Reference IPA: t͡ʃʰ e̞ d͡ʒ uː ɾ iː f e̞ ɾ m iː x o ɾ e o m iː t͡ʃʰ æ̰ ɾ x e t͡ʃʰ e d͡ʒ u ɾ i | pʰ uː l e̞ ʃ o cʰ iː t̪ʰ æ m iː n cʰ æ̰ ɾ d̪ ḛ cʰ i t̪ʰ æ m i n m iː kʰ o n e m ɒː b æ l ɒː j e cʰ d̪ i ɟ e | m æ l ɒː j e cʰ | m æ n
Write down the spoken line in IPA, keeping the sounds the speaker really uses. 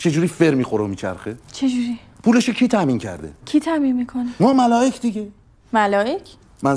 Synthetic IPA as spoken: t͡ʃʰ e̞ d͡ʒ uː ɾ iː f e̞ ɾ m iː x o ɾ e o m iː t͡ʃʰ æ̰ ɾ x e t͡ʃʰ e d͡ʒ u ɾ i | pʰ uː l e̞ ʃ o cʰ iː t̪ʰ æ m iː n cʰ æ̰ ɾ d̪ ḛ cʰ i t̪ʰ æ m i n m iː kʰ o n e m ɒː m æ l ɒː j e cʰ d̪ i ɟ e | m æ l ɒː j e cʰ | m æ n